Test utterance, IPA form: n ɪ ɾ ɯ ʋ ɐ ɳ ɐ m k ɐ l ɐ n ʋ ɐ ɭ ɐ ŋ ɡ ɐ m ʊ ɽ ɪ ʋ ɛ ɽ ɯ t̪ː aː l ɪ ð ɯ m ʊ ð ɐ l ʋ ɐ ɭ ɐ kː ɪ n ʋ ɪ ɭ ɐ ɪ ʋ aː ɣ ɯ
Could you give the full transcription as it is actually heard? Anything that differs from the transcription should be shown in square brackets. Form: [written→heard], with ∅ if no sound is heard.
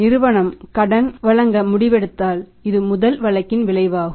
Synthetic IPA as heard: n ɪ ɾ ɯ ʋ ɐ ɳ ɐ m k ɐ [l→ɽ] ɐ n ʋ ɐ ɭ ɐ ŋ ɡ ɐ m ʊ ɽ ɪ ʋ ɛ ɽ ɯ t̪ː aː l ɪ ð ɯ m ʊ ð ɐ l ʋ ɐ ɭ ɐ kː ɪ n ʋ ɪ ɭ ɐ ɪ ʋ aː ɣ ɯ